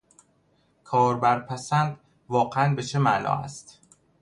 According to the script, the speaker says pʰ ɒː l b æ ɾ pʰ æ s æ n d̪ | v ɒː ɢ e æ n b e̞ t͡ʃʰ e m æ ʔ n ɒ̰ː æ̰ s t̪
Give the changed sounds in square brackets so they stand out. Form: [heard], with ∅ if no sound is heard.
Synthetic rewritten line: [kʰ] ɒː [ɾ] b æ ɾ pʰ æ s æ n d̪ | v ɒː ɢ e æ n b e̞ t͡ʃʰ e m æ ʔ n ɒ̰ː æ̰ s t̪